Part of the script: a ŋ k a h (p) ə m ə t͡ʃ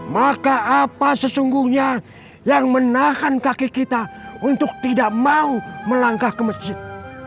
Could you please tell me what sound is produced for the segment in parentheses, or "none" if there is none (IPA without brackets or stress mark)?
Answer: k